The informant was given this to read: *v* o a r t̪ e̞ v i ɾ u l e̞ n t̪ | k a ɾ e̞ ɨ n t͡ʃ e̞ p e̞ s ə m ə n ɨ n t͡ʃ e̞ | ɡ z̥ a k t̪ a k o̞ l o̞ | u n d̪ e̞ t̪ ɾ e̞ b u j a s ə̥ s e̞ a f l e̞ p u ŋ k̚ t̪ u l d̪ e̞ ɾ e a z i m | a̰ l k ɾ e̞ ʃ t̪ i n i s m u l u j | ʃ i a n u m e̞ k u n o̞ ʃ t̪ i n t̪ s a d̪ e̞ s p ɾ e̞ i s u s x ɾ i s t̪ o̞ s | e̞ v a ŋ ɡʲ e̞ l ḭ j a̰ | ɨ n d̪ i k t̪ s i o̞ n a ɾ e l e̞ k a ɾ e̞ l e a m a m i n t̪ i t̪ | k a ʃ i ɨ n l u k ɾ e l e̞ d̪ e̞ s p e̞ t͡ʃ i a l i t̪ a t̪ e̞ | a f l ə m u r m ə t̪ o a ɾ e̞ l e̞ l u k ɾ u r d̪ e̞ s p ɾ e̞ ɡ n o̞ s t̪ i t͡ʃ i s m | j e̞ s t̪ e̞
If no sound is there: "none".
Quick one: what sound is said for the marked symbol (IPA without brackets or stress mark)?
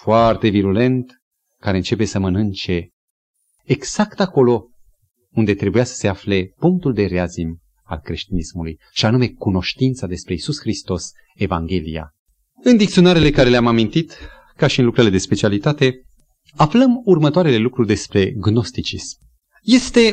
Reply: f